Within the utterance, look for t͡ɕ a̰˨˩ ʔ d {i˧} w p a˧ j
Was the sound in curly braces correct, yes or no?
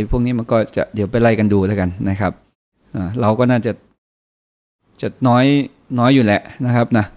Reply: no